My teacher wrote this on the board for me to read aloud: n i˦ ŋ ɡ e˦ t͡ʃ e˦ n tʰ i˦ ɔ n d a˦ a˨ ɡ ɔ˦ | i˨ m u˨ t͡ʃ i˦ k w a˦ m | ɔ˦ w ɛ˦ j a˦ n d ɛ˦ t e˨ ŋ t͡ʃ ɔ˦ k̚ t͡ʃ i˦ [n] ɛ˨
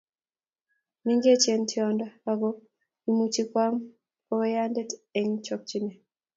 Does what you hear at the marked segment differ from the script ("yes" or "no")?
no